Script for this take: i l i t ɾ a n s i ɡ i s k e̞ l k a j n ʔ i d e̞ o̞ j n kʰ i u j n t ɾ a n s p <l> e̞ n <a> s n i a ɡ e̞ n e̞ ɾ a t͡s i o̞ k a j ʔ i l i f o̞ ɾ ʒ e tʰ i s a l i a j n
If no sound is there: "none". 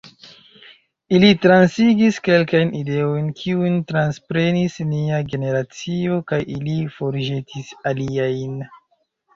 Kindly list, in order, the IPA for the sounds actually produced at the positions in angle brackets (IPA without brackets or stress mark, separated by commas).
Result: ɾ, i